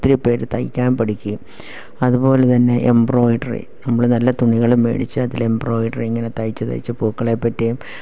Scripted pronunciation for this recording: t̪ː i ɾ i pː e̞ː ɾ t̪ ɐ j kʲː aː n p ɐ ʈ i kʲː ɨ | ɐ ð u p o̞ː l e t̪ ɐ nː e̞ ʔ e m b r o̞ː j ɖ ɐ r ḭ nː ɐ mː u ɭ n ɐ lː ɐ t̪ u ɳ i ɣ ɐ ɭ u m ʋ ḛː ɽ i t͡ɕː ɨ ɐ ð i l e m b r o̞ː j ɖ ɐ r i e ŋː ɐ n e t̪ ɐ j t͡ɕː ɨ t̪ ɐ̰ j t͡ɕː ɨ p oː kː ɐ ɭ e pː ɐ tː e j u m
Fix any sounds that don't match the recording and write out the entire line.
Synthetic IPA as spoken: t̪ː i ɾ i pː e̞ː ɾ t̪ ɐ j kʲː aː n p ɐ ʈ i kʲː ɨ | ɐ ð u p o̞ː l e t̪ ɐ nː e̞ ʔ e m b r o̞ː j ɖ ɐ r ḭ n ɐ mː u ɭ n ɐ lː ɐ t̪ u ɳ i ɣ ɐ ɭ u m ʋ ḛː ɽ i t͡ɕː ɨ ɐ ð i l e m b r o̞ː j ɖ ɐ r i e ŋː ɐ n e t̪ ɐ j t͡ɕː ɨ t̪ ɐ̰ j t͡ɕː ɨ p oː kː ɐ ɭ e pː ɐ tː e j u m

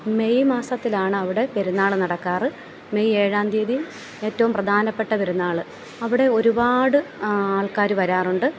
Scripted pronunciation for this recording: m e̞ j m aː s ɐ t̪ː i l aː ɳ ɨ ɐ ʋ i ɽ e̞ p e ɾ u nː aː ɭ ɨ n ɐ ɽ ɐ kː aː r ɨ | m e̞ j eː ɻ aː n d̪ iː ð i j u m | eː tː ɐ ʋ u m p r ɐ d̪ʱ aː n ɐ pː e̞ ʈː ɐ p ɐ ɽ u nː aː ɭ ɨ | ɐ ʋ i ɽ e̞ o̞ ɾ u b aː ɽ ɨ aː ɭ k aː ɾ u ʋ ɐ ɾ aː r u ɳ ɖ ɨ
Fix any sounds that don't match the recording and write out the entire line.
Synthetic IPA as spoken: m e̞ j m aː s ɐ t̪ː i l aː ɳ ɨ ɐ ʋ i ɽ e̞ p e ɾ u nː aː ɭ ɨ n ɐ ɽ ɐ kː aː r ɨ | m e̞ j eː ɻ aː n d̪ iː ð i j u m | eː tː ɐ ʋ u m p r ɐ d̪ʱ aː n ɐ pː e̞ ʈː ɐ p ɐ ɾ u nː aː ɭ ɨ | ɐ ʋ i ɽ e̞ o̞ ɾ u b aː ɽ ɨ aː ɭ k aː ɾ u ʋ ɐ ɾ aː r u ɳ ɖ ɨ

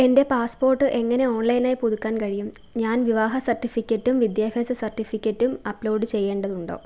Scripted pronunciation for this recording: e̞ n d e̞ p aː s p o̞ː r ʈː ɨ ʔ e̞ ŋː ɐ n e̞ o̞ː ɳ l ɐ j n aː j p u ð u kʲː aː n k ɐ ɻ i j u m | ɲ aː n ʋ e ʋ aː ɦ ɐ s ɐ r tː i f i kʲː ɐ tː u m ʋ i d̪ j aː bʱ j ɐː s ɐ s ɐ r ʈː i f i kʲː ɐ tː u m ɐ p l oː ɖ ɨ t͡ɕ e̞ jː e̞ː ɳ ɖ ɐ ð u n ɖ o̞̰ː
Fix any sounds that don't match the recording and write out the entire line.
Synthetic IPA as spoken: e̞ n d e̞ p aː s p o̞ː r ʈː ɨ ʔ e̞ ŋː ɐ n e̞ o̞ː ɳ l ɐ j n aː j p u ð u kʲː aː n k ɐ ɻ i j u m | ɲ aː n ʋ i ʋ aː ɦ ɐ s ɐ r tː i f i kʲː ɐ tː u m ʋ i d̪ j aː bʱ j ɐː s ɐ s ɐ r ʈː i f i kʲː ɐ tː u m ɐ p l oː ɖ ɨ t͡ɕ e̞ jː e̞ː ɳ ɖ ɐ ð u ɳ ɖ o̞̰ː

